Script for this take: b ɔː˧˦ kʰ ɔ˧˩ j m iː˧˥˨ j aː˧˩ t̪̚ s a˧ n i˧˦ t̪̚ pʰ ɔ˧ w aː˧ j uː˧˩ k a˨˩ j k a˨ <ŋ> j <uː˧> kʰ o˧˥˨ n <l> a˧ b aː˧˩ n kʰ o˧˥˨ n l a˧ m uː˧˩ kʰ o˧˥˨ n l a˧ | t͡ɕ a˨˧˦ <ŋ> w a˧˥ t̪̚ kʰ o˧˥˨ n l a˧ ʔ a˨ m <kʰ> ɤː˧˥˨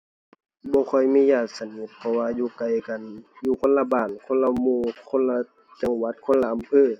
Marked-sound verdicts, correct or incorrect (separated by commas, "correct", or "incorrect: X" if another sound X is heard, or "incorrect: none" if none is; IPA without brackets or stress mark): incorrect: n, correct, correct, correct, incorrect: pʰ